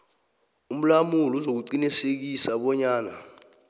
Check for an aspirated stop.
absent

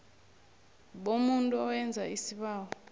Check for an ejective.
present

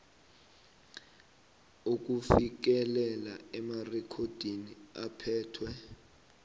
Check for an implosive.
absent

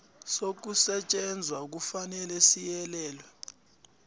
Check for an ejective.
present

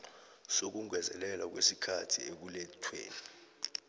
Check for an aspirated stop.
present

